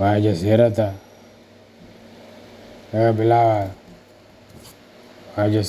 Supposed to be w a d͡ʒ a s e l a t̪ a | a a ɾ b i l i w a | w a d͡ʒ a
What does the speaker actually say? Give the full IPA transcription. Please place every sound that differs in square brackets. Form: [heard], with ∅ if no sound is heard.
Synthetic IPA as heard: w a d͡ʒ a s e [ɾ] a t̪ a | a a [∅] b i l [a] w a | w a d͡ʒ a